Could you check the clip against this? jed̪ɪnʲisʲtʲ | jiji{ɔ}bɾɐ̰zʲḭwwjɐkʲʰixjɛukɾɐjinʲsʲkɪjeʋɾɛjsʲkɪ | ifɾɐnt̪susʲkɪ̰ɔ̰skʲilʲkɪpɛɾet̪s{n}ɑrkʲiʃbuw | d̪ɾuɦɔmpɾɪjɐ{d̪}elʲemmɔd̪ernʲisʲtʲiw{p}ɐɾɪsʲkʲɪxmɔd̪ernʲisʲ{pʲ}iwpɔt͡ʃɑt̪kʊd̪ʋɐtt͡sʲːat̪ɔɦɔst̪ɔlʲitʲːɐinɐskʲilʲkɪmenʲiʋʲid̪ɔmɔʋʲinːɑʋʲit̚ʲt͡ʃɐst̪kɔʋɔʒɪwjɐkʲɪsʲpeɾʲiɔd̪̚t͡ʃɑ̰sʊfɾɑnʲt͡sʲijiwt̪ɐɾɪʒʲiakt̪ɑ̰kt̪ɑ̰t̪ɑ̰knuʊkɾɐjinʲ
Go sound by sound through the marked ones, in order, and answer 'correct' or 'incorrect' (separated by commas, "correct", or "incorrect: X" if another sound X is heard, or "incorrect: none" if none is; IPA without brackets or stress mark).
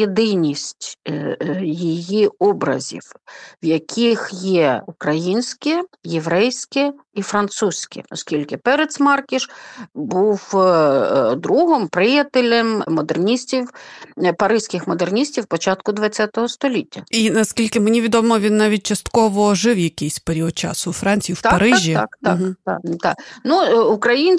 correct, incorrect: m, incorrect: t̪, correct, incorrect: tʲ